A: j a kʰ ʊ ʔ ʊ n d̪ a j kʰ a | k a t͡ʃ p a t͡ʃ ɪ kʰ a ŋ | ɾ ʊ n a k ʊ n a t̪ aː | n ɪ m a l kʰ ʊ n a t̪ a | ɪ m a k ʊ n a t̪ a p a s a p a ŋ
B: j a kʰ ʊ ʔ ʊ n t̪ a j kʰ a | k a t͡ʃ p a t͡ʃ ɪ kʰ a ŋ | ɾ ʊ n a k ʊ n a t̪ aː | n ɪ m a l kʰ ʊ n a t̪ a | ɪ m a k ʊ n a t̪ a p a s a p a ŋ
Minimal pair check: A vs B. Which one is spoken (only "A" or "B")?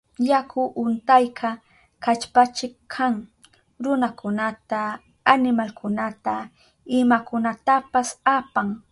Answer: B